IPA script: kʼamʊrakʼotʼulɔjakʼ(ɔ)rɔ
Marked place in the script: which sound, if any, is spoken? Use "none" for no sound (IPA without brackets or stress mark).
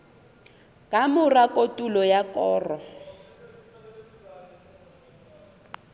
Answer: ɔː